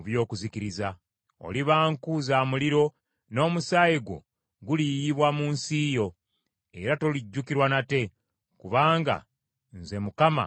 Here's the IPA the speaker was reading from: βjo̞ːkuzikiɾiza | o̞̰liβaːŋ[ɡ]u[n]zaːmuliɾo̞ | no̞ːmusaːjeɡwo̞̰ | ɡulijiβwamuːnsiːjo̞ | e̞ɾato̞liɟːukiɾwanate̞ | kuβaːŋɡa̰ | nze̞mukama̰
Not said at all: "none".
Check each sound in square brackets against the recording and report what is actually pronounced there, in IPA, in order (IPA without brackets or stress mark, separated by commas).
k, none